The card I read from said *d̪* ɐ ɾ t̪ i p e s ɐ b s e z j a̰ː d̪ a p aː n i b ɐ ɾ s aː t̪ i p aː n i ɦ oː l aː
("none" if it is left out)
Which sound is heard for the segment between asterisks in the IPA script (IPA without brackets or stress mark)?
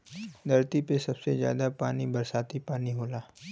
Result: d̪